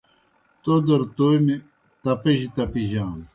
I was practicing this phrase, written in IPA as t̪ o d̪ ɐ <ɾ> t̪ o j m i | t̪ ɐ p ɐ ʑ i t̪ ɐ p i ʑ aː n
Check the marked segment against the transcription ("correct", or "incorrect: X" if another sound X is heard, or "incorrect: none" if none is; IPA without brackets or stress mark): correct